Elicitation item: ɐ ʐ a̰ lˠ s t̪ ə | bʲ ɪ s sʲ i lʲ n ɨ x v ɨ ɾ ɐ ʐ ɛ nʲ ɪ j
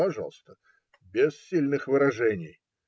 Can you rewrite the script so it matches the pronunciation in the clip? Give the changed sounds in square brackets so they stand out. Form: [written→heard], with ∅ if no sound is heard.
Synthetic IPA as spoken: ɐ ʐ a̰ lˠ s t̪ ə | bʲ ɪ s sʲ i lʲ n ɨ x v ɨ ɾ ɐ ʐ ɛ nʲ ɪ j